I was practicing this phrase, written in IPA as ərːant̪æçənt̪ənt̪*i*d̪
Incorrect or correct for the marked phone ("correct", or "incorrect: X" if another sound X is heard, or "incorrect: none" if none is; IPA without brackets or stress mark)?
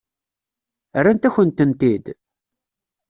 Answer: correct